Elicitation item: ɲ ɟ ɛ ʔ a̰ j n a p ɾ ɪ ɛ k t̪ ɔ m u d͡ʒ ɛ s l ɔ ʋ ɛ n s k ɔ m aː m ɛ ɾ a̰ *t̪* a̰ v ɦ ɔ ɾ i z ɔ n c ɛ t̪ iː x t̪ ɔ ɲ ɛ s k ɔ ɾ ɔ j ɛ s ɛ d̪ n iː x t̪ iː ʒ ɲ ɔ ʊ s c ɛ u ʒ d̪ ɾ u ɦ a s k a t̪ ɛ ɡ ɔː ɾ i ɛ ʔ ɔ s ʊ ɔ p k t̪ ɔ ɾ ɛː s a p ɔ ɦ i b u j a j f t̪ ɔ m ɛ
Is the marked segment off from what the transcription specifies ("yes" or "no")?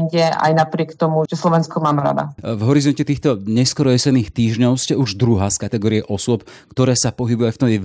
yes